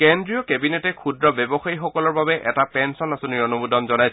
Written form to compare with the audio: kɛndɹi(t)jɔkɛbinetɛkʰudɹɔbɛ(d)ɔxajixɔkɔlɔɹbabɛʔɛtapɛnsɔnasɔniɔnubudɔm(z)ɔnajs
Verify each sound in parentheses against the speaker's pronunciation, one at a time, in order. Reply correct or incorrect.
incorrect, incorrect, correct

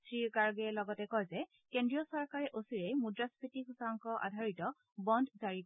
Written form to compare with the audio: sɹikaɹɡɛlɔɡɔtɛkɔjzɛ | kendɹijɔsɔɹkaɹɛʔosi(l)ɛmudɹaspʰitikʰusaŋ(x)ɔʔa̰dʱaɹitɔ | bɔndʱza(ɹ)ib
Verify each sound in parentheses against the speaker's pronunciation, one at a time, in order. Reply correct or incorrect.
incorrect, incorrect, correct

